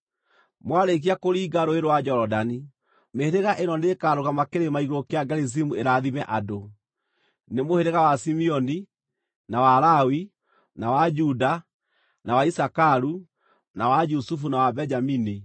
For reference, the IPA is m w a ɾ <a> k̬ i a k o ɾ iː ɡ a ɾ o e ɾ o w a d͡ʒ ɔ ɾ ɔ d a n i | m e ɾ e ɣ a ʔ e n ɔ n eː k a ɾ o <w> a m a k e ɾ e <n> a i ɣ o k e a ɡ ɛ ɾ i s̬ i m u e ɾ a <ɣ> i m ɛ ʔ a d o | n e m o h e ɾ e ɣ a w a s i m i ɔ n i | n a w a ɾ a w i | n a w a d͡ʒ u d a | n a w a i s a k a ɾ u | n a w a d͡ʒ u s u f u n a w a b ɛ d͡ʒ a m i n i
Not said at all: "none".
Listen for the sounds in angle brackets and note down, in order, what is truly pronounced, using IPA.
e, ɣ, m, ð

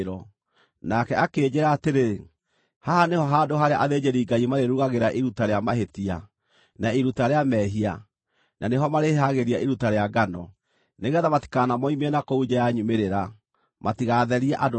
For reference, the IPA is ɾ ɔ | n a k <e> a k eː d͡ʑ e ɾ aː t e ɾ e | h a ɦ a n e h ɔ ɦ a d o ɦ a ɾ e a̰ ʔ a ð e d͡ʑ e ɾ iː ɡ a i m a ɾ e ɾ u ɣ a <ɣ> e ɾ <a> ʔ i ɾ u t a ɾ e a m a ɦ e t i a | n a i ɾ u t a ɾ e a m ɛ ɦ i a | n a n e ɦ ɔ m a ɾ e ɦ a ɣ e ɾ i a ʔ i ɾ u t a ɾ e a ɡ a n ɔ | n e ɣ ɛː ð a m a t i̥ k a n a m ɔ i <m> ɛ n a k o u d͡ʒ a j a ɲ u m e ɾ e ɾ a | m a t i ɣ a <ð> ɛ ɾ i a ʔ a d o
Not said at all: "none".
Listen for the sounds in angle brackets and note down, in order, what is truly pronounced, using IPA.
ɛ, ɣ, a, m, ð

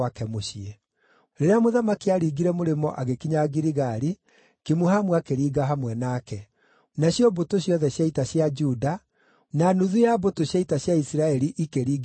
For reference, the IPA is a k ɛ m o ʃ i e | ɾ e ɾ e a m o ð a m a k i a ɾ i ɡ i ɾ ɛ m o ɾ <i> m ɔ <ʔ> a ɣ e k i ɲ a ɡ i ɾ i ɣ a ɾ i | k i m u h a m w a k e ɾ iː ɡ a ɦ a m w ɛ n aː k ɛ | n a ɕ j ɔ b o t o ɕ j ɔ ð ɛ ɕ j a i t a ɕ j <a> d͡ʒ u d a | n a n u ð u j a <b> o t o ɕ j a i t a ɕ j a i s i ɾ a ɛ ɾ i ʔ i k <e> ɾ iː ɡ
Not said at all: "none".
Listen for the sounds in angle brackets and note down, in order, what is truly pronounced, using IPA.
e, ʔ, a, b, e

